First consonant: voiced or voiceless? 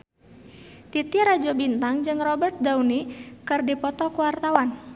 voiceless